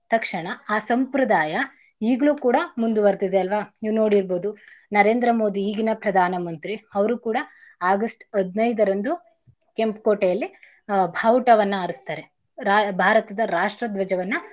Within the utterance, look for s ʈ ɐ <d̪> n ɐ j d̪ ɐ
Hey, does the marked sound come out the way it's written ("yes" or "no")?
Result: yes